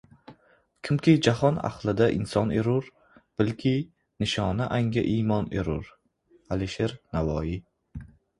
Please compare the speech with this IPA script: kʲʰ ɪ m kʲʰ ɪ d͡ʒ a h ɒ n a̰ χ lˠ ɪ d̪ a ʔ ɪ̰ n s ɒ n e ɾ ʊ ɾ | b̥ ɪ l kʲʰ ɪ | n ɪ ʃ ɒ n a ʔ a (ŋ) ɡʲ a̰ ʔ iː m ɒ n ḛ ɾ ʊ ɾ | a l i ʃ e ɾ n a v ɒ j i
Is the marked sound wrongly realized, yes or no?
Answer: no